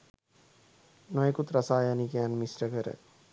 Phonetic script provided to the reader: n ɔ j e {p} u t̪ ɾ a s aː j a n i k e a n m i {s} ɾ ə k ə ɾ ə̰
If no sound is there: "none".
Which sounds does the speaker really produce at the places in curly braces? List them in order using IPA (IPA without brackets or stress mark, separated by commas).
k, s